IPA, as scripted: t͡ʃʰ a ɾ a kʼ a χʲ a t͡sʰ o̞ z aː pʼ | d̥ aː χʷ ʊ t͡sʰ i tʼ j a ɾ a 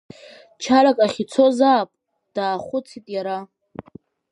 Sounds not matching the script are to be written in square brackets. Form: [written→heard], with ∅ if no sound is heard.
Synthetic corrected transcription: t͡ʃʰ a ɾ a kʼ a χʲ [a→i] t͡sʰ o̞ z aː pʼ | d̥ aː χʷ ʊ t͡sʰ i tʼ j a ɾ a